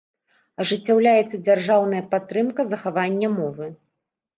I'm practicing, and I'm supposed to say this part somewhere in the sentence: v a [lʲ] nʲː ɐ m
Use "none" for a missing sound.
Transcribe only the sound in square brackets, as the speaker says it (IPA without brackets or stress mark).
none